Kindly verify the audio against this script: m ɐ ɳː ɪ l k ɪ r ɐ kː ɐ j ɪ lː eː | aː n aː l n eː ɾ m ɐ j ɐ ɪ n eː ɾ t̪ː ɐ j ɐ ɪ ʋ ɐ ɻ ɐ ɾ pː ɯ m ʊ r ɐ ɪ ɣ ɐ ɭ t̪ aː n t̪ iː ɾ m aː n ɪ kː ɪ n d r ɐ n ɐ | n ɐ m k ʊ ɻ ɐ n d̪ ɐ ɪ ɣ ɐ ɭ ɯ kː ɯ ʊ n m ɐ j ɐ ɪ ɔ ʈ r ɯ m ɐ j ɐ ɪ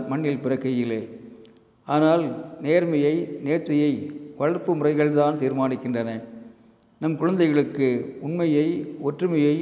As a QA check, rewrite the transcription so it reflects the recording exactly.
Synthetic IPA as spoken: m ɐ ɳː ɪ l p ɪ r ɐ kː ɐ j ɪ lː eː | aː n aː l n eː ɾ m ɐ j ɐ ɪ n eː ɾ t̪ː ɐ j ɐ ɪ ʋ ɐ ɻ ɐ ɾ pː ɯ m ʊ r ɐ ɪ ɣ ɐ ɭ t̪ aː n t̪ iː ɾ m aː n ɪ kː ɪ n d r ɐ n ɐ | n ɐ m k ʊ ɻ ɐ n d̪ ɐ ɪ ɣ ɐ ɭ ɯ kː ɯ ʊ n m ɐ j ɐ ɪ ɔ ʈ r ɯ m ɐ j ɐ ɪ